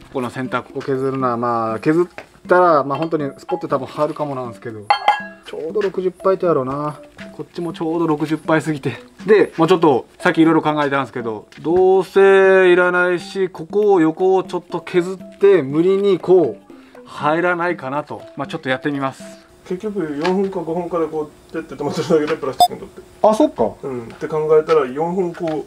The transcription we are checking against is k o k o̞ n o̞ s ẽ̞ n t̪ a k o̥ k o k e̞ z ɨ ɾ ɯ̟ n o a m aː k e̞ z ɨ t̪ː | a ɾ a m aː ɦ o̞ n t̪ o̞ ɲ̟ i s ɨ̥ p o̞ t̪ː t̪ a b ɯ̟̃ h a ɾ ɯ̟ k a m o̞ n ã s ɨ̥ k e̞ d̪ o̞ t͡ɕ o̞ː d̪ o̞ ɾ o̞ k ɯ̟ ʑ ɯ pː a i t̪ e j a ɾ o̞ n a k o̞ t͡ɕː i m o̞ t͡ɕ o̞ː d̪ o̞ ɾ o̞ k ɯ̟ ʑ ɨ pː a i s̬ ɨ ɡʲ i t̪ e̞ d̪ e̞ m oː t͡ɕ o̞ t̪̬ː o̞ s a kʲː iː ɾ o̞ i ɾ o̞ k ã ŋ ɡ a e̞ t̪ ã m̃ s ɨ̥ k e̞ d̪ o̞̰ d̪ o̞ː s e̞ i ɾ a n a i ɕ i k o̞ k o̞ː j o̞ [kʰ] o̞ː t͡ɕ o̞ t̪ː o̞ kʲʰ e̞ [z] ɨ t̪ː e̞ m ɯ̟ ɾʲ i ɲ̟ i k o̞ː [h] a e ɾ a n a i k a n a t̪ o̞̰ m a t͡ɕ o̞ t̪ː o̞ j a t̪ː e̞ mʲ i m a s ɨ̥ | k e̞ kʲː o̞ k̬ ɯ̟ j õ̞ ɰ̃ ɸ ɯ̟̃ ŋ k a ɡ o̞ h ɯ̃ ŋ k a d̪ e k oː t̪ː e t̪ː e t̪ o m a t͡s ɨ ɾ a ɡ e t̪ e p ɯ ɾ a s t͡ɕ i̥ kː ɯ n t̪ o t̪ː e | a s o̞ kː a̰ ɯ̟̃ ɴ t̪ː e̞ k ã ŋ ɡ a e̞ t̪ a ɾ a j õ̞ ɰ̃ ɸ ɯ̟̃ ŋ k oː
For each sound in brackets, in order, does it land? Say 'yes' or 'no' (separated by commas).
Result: no, yes, yes